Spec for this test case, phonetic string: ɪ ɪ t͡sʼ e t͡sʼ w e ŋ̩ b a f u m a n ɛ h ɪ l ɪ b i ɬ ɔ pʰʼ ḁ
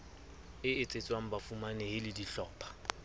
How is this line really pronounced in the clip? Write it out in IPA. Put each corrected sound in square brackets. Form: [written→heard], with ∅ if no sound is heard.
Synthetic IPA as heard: ɪ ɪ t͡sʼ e t͡sʼ w [e→a] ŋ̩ b a f u m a n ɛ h ɪ l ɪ [b→d] i ɬ [ɔ→ɔː] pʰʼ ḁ